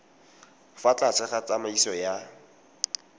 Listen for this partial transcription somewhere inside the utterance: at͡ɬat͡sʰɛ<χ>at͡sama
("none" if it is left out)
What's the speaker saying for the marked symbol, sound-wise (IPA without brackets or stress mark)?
χ